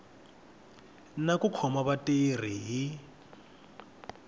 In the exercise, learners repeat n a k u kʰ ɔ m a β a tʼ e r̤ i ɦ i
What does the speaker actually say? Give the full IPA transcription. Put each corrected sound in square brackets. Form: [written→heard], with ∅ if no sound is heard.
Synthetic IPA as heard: n a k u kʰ ɔ m a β a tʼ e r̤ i ɦ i